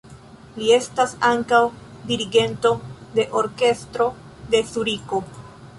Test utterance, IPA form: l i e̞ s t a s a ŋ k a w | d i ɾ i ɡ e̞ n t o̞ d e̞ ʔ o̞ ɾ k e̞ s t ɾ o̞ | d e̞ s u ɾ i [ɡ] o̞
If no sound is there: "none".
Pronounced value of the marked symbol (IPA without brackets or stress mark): k